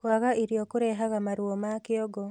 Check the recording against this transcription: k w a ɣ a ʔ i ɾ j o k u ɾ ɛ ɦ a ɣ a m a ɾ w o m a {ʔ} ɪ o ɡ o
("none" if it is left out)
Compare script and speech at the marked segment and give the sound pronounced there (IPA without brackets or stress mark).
k